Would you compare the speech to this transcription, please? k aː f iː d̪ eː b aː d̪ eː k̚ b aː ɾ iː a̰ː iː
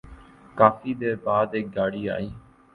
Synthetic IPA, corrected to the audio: k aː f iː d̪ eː b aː d̪ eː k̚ ɡ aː ɽ iː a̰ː iː

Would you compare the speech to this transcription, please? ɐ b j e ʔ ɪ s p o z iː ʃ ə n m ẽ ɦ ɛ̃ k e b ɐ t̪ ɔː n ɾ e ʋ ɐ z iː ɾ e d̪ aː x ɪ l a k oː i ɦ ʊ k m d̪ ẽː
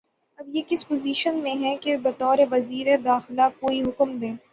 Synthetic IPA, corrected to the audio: ɐ b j e k ɪ s p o z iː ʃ ə n m ẽ ɦ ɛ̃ k e b ɐ t̪ ɔː ɾ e ʋ ɐ z iː ɾ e d̪ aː x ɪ l a k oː i ɦ ʊ k m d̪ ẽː

